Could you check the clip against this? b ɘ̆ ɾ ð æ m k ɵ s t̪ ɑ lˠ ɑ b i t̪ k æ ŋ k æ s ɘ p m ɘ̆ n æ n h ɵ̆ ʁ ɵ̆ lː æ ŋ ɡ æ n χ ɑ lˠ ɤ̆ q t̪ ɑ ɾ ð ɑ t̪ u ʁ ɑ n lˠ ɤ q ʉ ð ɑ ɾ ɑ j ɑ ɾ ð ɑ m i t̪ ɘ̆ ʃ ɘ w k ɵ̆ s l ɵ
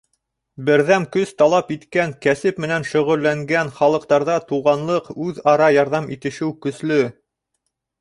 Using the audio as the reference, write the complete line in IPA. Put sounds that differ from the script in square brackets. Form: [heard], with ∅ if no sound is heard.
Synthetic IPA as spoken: b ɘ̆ ɾ ð æ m k ɵ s t̪ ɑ lˠ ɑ [p] i t̪ k æ ŋ k æ s ɘ p m ɘ̆ n æ n [ʃ] ɵ̆ ʁ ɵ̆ lː æ ŋ ɡ æ n χ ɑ lˠ ɤ̆ q t̪ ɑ ɾ ð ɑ t̪ u ʁ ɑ n lˠ ɤ q ʉ ð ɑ ɾ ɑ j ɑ ɾ ð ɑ m i t̪ ɘ̆ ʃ ɘ w k ɵ̆ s l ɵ